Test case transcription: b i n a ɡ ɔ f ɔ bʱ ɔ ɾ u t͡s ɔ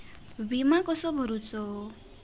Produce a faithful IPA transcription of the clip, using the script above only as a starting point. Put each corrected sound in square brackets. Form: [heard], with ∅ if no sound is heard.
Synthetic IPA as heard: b i [m] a [k] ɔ [s] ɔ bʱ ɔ ɾ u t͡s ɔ